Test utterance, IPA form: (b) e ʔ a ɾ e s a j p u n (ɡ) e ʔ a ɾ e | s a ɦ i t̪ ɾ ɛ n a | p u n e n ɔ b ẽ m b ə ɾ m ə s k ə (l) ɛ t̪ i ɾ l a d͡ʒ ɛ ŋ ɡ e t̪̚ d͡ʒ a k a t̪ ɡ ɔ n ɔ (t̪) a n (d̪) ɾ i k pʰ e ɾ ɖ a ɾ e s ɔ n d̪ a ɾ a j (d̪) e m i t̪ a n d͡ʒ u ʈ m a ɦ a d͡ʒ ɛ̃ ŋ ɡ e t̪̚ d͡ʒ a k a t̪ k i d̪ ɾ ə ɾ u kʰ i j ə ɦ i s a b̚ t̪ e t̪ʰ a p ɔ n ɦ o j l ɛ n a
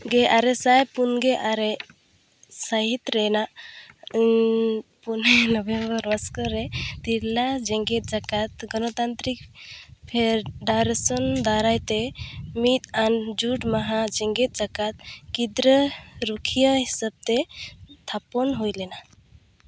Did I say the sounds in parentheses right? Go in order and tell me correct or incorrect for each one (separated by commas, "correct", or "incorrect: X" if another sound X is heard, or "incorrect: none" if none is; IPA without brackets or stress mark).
incorrect: ɡ, correct, incorrect: ɾ, correct, incorrect: t̪, incorrect: t̪